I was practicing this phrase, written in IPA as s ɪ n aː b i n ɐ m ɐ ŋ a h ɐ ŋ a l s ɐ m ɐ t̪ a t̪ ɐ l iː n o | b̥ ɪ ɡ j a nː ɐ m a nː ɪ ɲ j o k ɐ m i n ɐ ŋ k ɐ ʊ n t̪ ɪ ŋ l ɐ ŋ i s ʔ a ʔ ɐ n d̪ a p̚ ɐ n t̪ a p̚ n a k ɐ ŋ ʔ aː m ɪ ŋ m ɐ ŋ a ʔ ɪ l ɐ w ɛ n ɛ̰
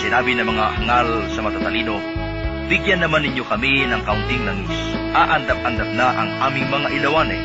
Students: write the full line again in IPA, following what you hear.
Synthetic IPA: s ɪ n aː b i n ɐ m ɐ ŋ a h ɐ ŋ a l s ɐ m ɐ t̪ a t̪ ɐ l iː n o | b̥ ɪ ɡ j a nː ɐ m a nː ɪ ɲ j o k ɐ m i n ɐ ŋ k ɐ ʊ n t̪ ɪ ŋ l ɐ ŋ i s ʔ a ʔ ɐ n d̪ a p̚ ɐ n d̪ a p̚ n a ʔ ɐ ŋ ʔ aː m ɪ ŋ m ɐ ŋ a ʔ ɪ l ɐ w a n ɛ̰